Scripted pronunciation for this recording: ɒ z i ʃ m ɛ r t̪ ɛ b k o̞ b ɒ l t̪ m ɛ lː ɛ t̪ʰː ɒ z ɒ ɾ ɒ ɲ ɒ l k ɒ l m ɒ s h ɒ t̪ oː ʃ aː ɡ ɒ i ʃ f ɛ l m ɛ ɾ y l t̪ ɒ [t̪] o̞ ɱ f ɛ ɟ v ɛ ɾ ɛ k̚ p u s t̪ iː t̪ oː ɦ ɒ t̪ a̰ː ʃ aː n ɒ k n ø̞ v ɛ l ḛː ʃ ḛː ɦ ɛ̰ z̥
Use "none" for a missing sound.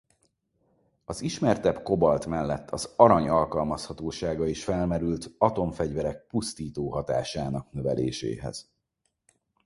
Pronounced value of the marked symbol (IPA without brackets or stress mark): t̪